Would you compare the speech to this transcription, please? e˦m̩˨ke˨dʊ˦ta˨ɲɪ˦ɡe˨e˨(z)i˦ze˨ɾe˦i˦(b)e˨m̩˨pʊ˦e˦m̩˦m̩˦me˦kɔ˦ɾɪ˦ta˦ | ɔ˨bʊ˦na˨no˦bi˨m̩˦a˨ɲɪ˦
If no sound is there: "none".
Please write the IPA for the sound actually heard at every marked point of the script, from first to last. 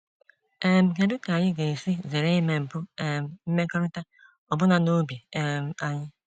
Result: s, m

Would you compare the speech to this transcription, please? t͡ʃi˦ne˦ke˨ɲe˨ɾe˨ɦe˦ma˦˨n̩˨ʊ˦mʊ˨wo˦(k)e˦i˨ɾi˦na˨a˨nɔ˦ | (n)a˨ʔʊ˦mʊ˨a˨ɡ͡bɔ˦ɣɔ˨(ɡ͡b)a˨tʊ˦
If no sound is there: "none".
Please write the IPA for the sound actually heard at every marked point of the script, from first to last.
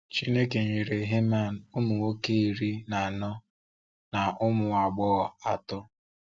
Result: k, n, none

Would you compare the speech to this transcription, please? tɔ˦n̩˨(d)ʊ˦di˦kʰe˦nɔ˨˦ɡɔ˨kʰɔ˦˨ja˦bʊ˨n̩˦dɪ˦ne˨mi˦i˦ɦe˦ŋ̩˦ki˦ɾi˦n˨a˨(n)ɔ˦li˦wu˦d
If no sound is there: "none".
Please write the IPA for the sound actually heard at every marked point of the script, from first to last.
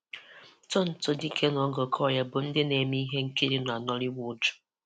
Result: t, n

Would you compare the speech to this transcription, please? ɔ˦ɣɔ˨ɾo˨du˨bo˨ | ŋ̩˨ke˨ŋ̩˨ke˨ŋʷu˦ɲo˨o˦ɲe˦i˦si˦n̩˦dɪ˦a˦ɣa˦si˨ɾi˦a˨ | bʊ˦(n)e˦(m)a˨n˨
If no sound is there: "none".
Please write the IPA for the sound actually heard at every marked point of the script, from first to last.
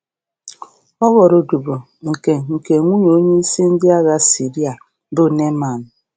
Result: n, m

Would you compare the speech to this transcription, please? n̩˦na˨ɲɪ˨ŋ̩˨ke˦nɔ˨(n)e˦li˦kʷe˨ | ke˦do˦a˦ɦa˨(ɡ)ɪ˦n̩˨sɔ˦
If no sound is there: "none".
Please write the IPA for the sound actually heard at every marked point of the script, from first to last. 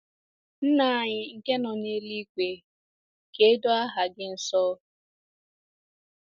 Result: ɲ, ɡ

